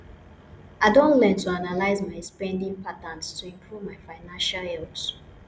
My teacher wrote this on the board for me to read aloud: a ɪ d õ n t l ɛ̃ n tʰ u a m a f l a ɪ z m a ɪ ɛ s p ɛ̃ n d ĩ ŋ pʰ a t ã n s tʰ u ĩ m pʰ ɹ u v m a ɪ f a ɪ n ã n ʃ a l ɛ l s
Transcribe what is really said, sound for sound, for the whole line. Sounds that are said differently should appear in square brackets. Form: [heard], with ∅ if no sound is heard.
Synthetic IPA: a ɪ d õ n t l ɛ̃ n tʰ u a [n] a [∅] l a ɪ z m a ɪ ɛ s p ɛ̃ n d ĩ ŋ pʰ a t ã n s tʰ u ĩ m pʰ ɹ u v m a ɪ f a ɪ n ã n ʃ a l ɛ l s